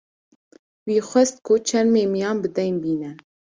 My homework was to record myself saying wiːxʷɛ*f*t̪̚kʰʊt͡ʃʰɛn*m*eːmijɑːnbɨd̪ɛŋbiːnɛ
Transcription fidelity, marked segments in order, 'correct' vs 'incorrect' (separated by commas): incorrect, correct